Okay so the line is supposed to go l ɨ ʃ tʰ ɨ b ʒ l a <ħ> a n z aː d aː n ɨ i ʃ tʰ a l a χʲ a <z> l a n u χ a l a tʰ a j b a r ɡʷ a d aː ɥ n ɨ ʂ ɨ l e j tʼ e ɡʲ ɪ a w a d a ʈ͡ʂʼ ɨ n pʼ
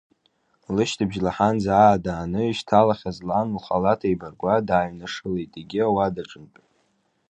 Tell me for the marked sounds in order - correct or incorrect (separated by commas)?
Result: correct, correct